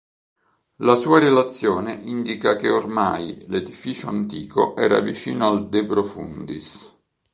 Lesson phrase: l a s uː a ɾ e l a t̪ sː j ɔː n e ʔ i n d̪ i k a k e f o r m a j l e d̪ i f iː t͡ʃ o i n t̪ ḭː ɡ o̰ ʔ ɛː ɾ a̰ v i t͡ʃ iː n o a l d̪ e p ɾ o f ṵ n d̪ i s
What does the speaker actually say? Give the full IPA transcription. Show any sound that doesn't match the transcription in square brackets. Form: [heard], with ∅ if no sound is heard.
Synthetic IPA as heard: l a s uː a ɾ e l a t̪ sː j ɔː n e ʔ i n d̪ i k a k e [∅] o r m a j l e d̪ i f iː t͡ʃ o [a] n t̪ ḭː [k] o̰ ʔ ɛː ɾ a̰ v i t͡ʃ iː n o a l d̪ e p ɾ o f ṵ n d̪ i s